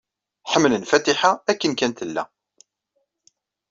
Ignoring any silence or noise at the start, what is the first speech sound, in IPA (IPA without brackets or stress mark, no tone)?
ħ